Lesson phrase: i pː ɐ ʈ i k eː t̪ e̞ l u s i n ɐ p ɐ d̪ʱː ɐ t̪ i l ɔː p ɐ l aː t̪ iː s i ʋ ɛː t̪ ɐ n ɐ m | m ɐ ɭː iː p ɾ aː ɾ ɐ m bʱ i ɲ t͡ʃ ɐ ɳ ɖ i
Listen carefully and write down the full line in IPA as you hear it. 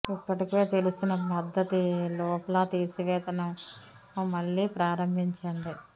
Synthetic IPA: i pː ɐ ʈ i k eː t̪ e̞ l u s i n ɐ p ɐ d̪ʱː ɐ t̪ i l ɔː p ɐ l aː t̪ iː s i ʋ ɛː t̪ ɐ n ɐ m | m ɐ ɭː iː p ɾ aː ɾ ɐ m bʱ i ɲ t͡ʃ ɐ ɳ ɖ i